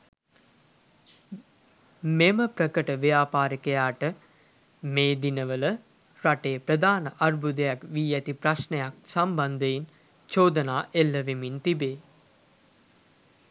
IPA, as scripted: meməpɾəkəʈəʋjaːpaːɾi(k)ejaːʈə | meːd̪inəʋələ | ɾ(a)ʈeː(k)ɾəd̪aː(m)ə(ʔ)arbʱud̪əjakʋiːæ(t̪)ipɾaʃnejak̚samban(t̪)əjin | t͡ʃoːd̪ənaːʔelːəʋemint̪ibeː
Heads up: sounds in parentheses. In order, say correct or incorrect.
correct, correct, incorrect: p, incorrect: n, correct, correct, incorrect: d̪

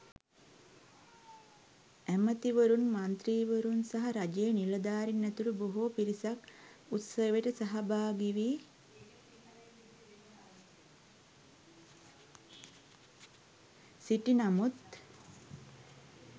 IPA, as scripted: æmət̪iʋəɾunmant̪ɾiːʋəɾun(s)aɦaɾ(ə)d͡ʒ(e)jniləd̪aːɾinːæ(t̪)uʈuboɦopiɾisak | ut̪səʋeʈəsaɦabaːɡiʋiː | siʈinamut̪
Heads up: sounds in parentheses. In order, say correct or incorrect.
correct, incorrect: a, correct, correct

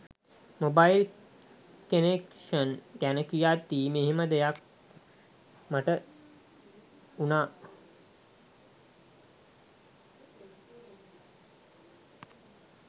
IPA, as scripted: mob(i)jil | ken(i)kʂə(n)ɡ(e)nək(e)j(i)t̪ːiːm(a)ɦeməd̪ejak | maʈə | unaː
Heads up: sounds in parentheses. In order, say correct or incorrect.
incorrect: a, incorrect: e, correct, incorrect: æ, incorrect: i, incorrect: a, incorrect: e

